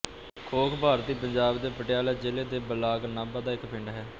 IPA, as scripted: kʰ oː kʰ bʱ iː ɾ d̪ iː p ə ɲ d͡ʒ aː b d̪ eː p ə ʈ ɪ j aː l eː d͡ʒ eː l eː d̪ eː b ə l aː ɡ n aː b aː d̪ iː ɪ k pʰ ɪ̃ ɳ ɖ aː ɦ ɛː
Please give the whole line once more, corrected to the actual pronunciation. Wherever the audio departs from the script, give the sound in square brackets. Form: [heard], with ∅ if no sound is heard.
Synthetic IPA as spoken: kʰ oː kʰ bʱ [aː] ɾ [t̪] iː p ə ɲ d͡ʒ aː b d̪ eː p ə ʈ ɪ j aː l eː d͡ʒ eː l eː d̪ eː b ə l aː ɡ n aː b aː d̪ [aː] ɪ k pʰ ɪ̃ ɳ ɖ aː ɦ ɛː